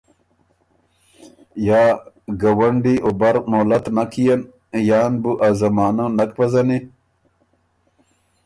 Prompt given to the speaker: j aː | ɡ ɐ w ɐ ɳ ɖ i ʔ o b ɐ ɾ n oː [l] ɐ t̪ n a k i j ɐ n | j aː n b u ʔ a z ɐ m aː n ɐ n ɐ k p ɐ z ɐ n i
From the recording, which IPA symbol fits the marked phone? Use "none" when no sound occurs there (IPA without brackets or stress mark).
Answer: l